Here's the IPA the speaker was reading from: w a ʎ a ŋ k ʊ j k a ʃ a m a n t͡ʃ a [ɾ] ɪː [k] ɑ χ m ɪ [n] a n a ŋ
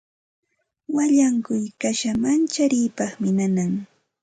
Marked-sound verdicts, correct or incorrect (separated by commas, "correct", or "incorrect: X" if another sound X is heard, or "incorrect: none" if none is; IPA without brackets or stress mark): correct, incorrect: p, correct